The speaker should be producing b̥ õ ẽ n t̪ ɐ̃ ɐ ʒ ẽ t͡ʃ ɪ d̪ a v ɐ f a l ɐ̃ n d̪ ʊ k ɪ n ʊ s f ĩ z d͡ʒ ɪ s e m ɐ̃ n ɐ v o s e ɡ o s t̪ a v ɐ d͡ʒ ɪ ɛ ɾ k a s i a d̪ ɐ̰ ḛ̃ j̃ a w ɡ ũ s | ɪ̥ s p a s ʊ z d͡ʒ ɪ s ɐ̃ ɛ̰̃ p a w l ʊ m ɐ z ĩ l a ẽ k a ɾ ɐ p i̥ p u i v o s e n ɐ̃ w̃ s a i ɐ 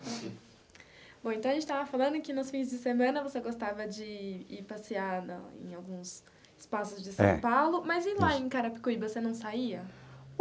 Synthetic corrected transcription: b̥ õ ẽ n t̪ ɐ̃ ɐ ʒ ẽ t͡ʃ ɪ t̪ a v ɐ f a l ɐ̃ n d̪ ʊ k ɪ n ʊ s f ĩ z d͡ʒ ɪ s e m ɐ̃ n ɐ v o s e ɡ o s t̪ a v ɐ d͡ʒ ɪ i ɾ p a s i a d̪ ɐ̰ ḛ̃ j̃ a w ɡ ũ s | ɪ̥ s p a s ʊ z d͡ʒ ɪ s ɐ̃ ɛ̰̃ p a w l ʊ m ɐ z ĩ l a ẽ k a ɾ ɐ p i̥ k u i v o s e n ɐ̃ w̃ s a i ɐ

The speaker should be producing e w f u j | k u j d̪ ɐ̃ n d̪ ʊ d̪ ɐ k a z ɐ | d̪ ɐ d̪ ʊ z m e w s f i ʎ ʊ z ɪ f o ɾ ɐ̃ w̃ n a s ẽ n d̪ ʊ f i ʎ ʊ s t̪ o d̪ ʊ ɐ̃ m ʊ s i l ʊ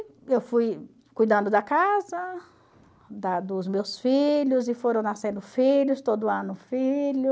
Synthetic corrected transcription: e w f u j | k u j d̪ ɐ̃ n d̪ ʊ d̪ ɐ k a z ɐ | d̪ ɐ d̪ ʊ z m e w s f i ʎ ʊ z ɪ f o ɾ ɐ̃ w̃ n a s ẽ n d̪ ʊ f i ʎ ʊ s t̪ o d̪ ʊ ɐ̃ n ʊ f i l ʊ

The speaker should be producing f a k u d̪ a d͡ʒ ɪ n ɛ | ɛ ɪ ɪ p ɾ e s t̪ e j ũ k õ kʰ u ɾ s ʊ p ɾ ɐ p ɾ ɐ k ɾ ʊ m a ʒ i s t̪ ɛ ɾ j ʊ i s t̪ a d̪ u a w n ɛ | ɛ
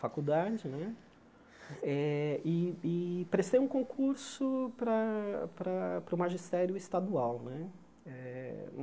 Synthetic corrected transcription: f a k u d̪ a d͡ʒ ɪ n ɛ | ɛ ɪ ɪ p ɾ e s t̪ e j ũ k õ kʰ u ɾ s ʊ p ɾ ɐ p ɾ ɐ p ɾ ʊ m a ʒ i s t̪ ɛ ɾ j ʊ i s t̪ a d̪ u a w n ɛ | ɛ

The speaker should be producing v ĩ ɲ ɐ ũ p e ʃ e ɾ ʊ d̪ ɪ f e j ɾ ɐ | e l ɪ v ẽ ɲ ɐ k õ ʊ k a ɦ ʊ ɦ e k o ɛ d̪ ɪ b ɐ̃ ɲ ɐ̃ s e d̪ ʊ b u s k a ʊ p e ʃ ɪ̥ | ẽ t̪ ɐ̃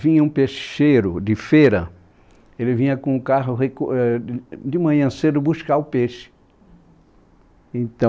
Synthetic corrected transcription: v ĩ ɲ ɐ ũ p e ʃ e ɾ ʊ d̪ ɪ f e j ɾ ɐ | e l ɪ v ĩ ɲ ɐ k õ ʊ k a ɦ ʊ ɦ e k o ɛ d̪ ɪ m ɐ̃ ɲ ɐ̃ s e d̪ ʊ b u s k a ʊ p e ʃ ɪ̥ | ẽ t̪ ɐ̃

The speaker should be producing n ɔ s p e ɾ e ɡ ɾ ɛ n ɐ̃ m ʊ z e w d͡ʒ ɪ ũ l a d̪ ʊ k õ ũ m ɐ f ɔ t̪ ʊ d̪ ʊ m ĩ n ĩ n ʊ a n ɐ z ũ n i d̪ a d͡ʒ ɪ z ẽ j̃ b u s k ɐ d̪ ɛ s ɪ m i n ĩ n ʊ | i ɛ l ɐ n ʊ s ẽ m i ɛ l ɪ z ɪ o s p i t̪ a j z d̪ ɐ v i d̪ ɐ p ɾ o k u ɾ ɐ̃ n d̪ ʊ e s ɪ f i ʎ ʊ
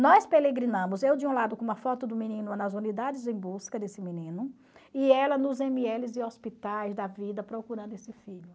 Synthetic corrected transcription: n ɔ s p e l e ɡ ɾ i n ɐ̃ m ʊ z e w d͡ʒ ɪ ũ l a d̪ ʊ k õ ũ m ɐ f ɔ t̪ ʊ d̪ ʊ m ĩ n ĩ n ʊ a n ɐ z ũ n i d̪ a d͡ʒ ɪ z ẽ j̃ b u s k ɐ d̪ e s ɪ m i n ĩ n ʊ | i ɛ l ɐ n ʊ z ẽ m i ɛ l ɪ z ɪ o s p i t̪ a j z d̪ ɐ v i d̪ ɐ p ɾ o k u ɾ ɐ̃ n d̪ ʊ e s ɪ f i ʎ ʊ

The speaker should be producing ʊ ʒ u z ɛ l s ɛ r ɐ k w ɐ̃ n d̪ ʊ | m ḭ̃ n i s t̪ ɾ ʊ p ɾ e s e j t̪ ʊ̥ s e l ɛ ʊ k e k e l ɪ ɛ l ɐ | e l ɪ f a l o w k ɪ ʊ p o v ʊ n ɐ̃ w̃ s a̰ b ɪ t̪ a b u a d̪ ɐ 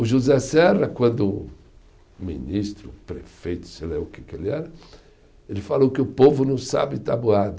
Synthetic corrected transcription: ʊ ʒ u z ɛ s ɛ r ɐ k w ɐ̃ n d̪ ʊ | m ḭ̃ n i s t̪ ɾ ʊ p ɾ e f e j t̪ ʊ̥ s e l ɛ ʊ k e k e l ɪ ɛ ɾ ɐ | e l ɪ f a l o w k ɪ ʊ p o v ʊ n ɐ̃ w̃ s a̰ b ɪ t̪ a b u a d̪ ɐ

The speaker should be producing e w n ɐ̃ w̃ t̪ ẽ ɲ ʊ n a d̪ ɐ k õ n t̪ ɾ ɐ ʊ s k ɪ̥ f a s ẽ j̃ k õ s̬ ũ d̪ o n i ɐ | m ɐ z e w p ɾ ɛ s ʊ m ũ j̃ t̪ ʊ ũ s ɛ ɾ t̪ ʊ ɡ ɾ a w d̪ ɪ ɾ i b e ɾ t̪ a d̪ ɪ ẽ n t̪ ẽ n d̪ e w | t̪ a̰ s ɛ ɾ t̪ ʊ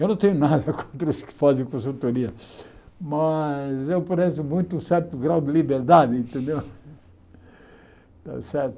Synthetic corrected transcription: e w n ɐ̃ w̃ t̪ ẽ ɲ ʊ n a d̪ ɐ k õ n t̪ ɾ ɐ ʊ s k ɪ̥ f a z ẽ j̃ k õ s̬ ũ t̪ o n i ɐ | m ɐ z e w p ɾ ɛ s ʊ m ũ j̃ t̪ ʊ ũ s ɛ ɾ t̪ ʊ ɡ ɾ a w d̪ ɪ l i b e ɾ d̪ a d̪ ɪ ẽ n t̪ ẽ n d̪ e w | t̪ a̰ s ɛ ɾ t̪ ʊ

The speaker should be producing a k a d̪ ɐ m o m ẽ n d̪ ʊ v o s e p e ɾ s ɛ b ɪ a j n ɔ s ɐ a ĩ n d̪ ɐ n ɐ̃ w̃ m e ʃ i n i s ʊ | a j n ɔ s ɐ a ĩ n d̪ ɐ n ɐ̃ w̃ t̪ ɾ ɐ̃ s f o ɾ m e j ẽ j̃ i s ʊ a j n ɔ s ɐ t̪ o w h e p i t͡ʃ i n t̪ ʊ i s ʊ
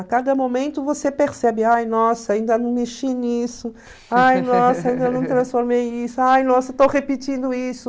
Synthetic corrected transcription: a k a d̪ ɐ m o m ẽ n t̪ ʊ v o s e p e ɾ s ɛ b ɪ a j n ɔ s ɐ a ĩ n d̪ ɐ n ɐ̃ w̃ m e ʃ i n i s ʊ | a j n ɔ s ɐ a ĩ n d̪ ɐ n ɐ̃ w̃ t̪ ɾ ɐ̃ s f o ɾ m e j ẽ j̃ i s ʊ a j n ɔ s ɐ t̪ o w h e p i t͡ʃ ĩ n d̪ ʊ i s ʊ

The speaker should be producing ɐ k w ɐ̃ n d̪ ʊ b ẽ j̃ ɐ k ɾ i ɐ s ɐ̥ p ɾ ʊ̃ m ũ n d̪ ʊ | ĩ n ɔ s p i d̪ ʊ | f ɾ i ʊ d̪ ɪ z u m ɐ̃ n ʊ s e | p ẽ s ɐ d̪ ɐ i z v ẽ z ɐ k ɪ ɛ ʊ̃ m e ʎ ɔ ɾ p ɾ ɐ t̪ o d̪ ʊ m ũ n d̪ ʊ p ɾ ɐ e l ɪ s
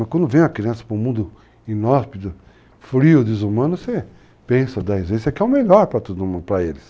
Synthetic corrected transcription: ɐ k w ɐ̃ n d̪ ʊ v ẽ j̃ ɐ k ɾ i ɐ̃ s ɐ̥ p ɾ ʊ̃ m ũ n d̪ ʊ | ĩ n ɔ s p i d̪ ʊ | f ɾ i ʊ d̪ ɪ z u m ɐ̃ n ʊ s e | p ẽ s ɐ d̪ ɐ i z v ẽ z ɐ k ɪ ɛ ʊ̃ m e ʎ ɔ ɾ p ɾ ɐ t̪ o d̪ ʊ m ũ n d̪ ʊ p ɾ ɐ e l ɪ s

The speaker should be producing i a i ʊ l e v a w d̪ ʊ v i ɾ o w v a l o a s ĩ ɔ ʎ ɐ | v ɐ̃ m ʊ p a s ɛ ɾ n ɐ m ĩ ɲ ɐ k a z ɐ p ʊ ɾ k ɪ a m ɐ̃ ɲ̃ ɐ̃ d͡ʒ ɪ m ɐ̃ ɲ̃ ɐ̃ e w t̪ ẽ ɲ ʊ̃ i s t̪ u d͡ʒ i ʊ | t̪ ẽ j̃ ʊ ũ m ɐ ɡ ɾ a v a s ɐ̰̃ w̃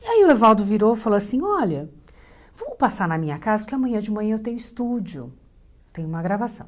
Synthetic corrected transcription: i a i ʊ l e v a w d̪ ʊ v i ɾ o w f a l o a s ĩ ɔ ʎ ɐ | v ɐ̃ m ʊ p a s a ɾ n ɐ m ĩ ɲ ɐ k a z ɐ p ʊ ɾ k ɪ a m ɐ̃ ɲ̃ ɐ̃ d͡ʒ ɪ m ɐ̃ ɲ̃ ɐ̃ e w t̪ ẽ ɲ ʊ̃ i s t̪ u d͡ʒ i ʊ | t̪ ẽ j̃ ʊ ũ m ɐ ɡ ɾ a v a s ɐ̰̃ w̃

